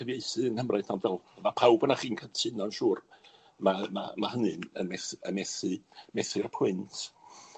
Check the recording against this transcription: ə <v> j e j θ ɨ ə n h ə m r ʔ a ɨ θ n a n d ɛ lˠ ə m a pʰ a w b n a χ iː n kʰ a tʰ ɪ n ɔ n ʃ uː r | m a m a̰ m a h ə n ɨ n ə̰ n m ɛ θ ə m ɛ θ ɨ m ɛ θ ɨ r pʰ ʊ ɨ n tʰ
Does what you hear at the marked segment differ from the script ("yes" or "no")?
no